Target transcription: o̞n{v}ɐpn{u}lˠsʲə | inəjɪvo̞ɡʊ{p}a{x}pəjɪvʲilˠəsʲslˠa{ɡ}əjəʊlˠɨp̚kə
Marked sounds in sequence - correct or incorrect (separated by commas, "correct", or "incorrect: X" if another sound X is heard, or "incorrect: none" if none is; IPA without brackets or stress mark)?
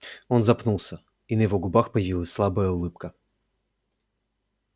incorrect: z, correct, incorrect: b, correct, incorrect: b